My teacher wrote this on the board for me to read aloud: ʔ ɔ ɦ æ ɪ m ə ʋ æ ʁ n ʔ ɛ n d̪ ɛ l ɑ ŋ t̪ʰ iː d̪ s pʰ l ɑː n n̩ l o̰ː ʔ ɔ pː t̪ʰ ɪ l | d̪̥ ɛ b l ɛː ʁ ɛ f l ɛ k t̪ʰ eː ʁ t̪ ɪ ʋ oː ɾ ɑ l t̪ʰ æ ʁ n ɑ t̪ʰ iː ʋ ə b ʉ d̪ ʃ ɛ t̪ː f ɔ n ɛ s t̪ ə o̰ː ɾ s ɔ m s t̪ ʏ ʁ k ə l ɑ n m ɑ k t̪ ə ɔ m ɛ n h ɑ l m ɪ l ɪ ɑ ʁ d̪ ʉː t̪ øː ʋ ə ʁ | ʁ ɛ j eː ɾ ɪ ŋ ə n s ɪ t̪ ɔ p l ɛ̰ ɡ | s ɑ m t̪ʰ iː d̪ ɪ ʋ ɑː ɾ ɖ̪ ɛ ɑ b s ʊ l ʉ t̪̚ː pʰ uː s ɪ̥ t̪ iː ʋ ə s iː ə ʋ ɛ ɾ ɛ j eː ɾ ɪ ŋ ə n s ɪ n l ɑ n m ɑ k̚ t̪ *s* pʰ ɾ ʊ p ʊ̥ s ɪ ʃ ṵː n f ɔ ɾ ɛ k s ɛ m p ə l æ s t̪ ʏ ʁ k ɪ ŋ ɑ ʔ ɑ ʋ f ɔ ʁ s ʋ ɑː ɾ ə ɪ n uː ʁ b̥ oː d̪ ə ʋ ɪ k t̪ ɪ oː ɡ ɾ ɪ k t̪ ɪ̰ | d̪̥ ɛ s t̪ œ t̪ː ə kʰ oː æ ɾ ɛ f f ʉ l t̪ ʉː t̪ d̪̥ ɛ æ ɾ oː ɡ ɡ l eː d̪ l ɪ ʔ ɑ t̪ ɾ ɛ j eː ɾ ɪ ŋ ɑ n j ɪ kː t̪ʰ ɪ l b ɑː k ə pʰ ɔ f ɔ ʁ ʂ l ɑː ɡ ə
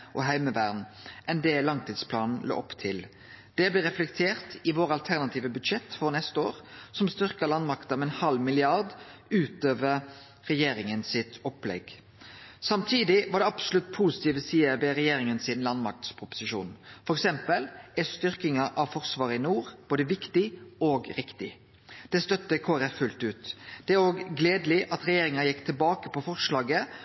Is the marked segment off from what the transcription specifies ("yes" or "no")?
no